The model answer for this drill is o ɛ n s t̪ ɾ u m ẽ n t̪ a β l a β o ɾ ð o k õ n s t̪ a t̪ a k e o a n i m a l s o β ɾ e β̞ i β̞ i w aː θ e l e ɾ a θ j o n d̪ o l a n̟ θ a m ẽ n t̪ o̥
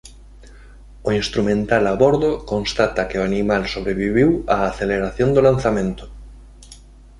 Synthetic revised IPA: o i n s t̪ ɾ u m ẽ n t̪ a l a β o ɾ ð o k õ n s t̪ a t̪ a k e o a n i m a l s o β ɾ e β̞ i β̞ i w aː θ e l e ɾ a θ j o n d̪ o l a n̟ θ a m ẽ n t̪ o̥